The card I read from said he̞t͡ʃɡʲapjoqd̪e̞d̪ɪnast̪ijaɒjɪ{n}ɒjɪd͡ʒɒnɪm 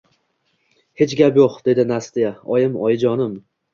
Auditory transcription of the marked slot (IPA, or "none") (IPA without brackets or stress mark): m